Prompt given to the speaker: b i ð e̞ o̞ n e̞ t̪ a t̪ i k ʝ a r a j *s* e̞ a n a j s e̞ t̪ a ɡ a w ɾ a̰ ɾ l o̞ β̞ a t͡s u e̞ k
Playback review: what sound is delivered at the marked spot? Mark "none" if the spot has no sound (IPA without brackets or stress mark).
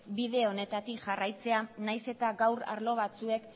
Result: t͡s